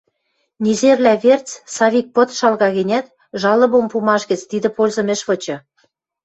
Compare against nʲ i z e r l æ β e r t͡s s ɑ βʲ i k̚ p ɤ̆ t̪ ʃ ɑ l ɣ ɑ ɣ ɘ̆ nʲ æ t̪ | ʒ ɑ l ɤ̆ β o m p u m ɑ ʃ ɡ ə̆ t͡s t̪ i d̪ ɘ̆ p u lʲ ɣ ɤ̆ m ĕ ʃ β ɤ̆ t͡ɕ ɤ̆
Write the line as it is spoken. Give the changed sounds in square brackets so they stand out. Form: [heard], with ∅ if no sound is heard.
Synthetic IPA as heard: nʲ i z e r l æ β e r t͡s s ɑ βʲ i k̚ p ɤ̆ t̪ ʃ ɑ l ɣ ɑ ɣ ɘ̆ nʲ æ t̪ | ʒ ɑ l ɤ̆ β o m p u m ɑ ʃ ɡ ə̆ t͡s t̪ i d̪ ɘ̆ p [o] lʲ [z] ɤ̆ m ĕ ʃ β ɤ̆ t͡ɕ ɤ̆